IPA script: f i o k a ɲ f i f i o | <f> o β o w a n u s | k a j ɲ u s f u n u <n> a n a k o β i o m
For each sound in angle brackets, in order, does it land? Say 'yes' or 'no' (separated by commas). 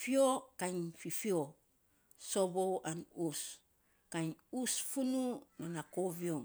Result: no, yes